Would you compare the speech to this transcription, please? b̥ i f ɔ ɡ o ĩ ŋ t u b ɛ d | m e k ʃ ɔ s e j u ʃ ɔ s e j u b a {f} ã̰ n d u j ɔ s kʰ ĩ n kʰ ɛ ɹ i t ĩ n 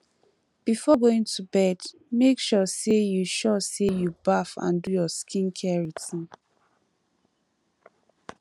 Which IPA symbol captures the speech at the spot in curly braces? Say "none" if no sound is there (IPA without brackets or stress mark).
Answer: f